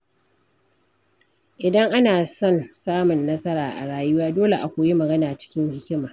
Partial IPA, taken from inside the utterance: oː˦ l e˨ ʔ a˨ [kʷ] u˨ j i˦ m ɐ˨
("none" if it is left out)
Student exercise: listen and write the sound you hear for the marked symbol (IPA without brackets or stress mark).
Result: kʷ